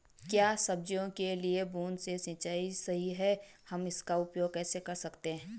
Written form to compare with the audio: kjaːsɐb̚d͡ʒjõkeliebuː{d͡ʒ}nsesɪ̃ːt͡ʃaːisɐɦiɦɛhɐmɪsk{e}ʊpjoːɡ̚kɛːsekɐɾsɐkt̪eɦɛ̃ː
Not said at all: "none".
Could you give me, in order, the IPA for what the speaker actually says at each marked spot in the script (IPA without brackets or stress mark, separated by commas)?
none, a